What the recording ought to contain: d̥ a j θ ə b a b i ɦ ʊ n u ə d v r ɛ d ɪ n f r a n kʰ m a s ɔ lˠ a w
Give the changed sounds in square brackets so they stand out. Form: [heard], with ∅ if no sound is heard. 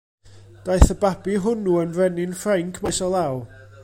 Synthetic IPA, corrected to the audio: d̥ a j θ ə b a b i ɦ ʊ n u ə [n] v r ɛ [n] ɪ n f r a [ŋ] kʰ m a s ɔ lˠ a w